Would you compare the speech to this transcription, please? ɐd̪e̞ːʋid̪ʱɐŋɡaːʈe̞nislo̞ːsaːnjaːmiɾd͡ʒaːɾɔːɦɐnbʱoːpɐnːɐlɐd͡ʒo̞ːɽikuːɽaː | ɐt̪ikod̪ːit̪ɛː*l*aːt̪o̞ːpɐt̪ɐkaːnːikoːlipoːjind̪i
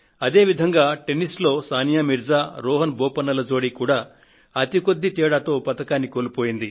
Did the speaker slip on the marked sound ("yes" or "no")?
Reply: yes